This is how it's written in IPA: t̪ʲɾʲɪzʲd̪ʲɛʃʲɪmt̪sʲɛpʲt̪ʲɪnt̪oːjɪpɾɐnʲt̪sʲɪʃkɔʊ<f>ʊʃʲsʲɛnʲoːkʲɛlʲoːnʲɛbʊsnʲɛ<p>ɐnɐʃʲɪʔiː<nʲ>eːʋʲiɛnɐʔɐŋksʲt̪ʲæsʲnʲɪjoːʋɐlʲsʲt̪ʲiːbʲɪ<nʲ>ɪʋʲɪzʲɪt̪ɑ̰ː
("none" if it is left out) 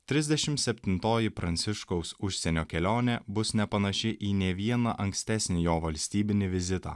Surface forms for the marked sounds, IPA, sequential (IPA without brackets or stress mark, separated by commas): s, p, nʲ, nʲ